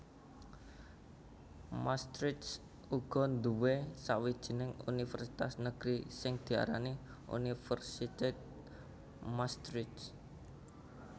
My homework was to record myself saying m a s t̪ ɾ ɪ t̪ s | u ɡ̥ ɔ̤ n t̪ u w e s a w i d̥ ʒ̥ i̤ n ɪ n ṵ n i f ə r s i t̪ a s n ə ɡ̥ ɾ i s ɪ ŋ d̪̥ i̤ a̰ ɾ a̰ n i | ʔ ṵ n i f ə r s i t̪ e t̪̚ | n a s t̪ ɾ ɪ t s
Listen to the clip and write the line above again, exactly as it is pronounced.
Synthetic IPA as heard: m a s t̪ ɾ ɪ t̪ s | u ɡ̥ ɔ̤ n d̪ u w e s a w i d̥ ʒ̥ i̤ n ɪ ŋ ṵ n i f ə r s i t̪ a s n ə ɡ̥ ɾ i s ɪ ŋ d̪̥ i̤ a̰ ɾ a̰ n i | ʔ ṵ n i f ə r s i t̪ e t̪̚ | m a s t̪ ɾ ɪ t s